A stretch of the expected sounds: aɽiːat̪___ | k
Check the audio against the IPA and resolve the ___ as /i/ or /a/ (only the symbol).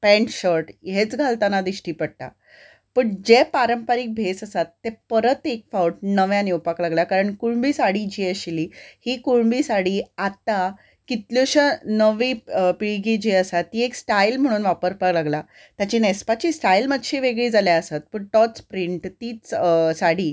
a